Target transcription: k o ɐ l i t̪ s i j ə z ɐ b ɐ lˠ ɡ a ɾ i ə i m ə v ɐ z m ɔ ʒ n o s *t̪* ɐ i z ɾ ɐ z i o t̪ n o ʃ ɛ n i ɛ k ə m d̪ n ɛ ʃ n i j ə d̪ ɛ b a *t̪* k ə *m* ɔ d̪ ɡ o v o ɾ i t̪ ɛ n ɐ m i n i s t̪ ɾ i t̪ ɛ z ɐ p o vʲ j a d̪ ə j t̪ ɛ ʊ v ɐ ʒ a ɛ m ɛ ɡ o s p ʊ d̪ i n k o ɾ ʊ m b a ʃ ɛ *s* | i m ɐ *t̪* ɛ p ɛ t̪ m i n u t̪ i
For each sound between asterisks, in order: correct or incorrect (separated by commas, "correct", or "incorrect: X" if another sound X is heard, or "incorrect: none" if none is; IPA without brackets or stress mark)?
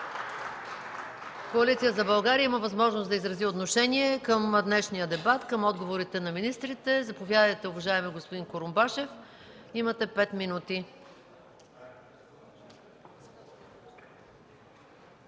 incorrect: d̪, correct, correct, incorrect: f, correct